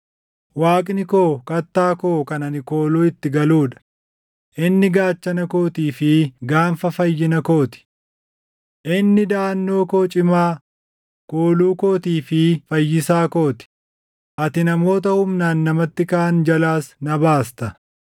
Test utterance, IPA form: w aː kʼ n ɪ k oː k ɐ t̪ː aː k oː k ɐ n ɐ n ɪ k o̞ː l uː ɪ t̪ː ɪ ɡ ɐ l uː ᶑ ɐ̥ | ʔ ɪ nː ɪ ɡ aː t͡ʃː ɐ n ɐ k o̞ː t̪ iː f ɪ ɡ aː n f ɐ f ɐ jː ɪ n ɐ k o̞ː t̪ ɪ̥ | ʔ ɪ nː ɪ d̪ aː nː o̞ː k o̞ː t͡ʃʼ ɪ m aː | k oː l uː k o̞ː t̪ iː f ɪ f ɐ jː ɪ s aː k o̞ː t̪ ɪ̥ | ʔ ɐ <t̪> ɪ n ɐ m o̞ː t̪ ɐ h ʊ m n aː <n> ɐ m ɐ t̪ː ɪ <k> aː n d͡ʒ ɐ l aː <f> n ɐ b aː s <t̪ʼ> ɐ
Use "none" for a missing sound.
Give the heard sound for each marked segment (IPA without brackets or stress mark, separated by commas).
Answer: t̪, nː, k, s, t̪